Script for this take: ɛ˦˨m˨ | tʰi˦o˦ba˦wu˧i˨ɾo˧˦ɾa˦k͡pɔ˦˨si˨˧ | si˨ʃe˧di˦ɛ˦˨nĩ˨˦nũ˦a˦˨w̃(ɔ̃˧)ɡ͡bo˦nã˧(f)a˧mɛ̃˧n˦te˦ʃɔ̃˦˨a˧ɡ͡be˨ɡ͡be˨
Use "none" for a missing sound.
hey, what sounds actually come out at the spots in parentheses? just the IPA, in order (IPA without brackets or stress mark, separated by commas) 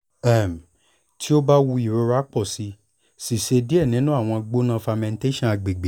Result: ɔ̃˧, f